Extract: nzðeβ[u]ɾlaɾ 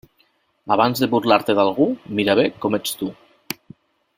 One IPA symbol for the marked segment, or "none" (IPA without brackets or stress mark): u